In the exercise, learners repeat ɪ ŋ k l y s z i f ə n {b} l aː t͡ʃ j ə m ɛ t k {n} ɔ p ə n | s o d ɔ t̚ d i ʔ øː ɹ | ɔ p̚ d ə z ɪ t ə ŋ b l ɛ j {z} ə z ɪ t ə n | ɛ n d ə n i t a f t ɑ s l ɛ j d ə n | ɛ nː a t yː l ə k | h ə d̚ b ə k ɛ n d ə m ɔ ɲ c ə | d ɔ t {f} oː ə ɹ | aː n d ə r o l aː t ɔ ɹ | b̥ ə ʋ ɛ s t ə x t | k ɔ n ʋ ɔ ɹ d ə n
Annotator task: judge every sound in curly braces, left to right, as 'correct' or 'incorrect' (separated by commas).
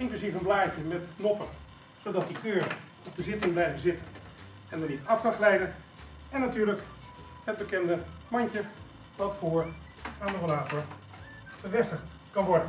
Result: correct, correct, incorrect, correct